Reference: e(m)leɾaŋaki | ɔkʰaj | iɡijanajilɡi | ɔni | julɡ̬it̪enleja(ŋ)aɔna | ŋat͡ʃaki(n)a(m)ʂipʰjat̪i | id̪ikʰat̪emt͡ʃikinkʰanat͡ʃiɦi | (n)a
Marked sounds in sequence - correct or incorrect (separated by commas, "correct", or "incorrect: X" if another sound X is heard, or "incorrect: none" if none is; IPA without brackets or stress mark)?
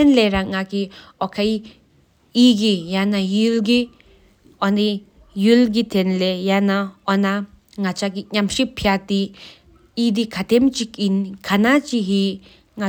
incorrect: n, incorrect: n, incorrect: ɲ, correct, incorrect: ŋ